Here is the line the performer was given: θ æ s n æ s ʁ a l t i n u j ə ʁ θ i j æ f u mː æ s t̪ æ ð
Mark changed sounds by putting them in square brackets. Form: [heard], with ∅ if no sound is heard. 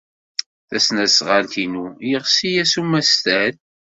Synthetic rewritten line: θ æ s n æ s ʁ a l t i n u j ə ʁ [s] i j æ [s] u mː æ s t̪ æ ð